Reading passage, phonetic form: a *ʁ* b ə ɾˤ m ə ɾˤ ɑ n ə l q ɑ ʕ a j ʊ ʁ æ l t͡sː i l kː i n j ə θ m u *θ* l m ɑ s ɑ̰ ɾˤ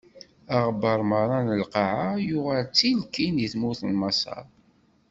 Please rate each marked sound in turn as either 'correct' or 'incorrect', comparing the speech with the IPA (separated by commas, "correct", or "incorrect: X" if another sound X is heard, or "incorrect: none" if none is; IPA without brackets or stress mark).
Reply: correct, correct